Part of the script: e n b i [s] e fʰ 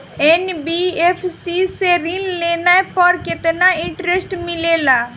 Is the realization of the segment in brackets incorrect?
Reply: yes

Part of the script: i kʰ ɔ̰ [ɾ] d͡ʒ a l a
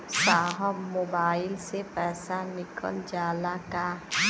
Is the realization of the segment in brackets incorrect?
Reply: yes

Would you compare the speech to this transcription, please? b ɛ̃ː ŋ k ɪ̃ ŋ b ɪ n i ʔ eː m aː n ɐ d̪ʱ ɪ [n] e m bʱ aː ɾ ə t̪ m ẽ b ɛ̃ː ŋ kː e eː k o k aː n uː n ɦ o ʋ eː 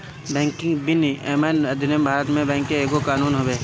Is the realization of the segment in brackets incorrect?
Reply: no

